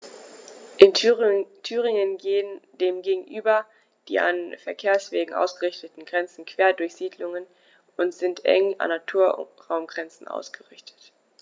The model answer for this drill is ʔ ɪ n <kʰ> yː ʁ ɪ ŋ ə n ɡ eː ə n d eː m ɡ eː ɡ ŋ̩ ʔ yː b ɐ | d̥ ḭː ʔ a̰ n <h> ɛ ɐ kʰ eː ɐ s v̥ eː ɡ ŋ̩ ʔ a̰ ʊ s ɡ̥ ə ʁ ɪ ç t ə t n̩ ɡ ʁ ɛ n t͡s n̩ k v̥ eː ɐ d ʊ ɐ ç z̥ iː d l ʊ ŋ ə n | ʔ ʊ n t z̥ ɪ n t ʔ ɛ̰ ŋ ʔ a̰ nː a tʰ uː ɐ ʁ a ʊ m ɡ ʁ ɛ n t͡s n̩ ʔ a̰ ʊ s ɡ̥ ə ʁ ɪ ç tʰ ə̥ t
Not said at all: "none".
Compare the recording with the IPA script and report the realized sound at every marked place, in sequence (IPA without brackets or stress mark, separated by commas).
tʰ, f